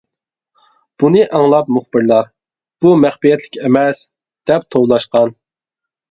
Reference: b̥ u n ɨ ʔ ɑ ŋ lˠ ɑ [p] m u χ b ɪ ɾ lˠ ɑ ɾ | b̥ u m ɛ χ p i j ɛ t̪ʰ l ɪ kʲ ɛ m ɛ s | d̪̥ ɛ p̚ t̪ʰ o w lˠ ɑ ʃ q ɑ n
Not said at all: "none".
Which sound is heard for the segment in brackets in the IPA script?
p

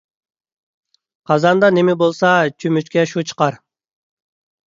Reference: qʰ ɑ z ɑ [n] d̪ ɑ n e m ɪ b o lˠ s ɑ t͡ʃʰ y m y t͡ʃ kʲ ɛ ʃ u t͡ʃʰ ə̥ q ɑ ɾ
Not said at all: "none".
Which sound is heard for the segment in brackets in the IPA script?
n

